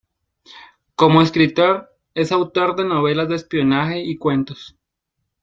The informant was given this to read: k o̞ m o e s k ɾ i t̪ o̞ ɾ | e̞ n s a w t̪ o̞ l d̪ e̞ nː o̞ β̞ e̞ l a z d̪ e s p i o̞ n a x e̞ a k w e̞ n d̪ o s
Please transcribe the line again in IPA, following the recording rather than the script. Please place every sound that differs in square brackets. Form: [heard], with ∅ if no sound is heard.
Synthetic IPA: k o̞ m o e s k ɾ i t̪ o̞ ɾ | e̞ [∅] s a w t̪ o̞ [ɾ] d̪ e̞ [n] o̞ β̞ e̞ l a z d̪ e s p i o̞ n a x e̞ [i] k w e̞ n [t̪] o s